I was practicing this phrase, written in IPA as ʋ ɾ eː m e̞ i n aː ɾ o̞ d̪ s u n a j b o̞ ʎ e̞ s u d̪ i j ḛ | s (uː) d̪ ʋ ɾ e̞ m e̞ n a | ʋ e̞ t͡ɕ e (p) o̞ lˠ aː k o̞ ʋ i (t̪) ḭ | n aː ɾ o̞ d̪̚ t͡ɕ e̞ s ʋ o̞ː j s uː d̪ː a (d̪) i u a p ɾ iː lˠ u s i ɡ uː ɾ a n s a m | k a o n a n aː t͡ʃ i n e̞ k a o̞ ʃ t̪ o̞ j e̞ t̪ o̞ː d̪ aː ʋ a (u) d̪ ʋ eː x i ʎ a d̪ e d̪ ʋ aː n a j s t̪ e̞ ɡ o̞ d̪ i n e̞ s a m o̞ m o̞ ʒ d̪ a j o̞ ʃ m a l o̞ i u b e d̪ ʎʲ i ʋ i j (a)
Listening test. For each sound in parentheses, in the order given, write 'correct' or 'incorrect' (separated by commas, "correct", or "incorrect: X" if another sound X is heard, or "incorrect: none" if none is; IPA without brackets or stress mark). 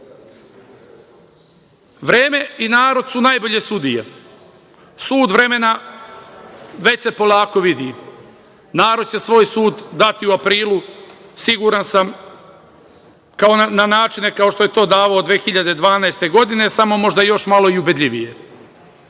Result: correct, correct, incorrect: d̪, incorrect: t̪, incorrect: o, incorrect: e